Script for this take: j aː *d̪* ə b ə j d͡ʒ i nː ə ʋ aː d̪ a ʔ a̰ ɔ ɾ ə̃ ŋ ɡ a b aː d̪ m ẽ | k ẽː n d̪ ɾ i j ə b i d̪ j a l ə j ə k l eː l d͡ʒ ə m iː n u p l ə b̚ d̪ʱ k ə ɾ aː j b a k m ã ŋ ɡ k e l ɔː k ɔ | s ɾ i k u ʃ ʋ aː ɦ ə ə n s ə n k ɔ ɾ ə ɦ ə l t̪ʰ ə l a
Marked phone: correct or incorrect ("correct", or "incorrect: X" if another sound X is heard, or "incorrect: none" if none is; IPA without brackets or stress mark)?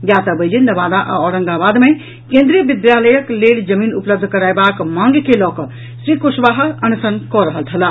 incorrect: t̪